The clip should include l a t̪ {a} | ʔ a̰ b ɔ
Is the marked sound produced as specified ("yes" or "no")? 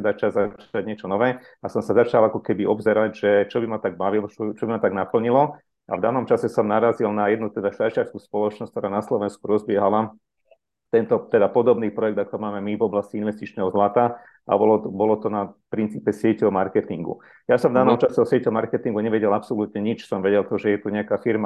yes